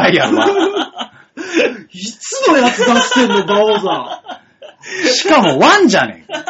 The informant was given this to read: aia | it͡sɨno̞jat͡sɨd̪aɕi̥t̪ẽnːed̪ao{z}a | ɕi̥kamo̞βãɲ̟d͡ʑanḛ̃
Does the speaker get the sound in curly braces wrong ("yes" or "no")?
no